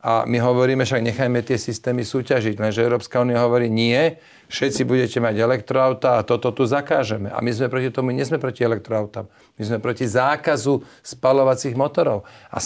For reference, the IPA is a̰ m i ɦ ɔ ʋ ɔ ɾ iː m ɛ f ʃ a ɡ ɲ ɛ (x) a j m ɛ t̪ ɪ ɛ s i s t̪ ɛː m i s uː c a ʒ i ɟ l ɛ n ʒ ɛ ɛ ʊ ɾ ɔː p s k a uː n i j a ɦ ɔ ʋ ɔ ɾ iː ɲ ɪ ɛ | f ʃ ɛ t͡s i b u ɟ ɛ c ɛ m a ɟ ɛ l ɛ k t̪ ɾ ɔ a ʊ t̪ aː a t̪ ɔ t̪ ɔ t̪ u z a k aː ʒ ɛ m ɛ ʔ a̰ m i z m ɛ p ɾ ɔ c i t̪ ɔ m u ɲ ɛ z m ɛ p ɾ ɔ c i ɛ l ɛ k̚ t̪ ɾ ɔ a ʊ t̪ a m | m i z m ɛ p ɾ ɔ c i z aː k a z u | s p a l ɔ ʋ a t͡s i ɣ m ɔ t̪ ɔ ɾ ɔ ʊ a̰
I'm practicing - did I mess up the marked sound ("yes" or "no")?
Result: no